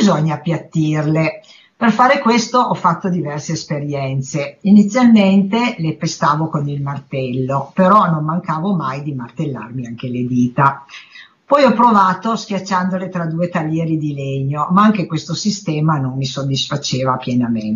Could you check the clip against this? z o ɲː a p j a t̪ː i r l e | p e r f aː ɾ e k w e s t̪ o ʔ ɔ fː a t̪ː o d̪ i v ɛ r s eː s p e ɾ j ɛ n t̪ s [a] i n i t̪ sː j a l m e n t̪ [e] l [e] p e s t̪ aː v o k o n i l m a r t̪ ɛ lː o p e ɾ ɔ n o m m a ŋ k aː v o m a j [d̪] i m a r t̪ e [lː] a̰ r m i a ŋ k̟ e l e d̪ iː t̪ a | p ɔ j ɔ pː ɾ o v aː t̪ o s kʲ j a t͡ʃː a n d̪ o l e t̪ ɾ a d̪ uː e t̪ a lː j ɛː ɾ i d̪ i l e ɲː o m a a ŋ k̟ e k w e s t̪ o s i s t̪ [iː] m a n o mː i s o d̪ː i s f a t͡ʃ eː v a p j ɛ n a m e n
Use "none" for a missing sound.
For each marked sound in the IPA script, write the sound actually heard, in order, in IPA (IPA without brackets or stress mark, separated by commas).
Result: e, e, e, d̪, lː, ɛː